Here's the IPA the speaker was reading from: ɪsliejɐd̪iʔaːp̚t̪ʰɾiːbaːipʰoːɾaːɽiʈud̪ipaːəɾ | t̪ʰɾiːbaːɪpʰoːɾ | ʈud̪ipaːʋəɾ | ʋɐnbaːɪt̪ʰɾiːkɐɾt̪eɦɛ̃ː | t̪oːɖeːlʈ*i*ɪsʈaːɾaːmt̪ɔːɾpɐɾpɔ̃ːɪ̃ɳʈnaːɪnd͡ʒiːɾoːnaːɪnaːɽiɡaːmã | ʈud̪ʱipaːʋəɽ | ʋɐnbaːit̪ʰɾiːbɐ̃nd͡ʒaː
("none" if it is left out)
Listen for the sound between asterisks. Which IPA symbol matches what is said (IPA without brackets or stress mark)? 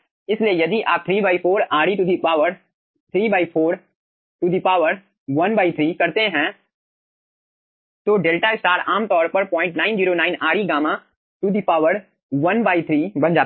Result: a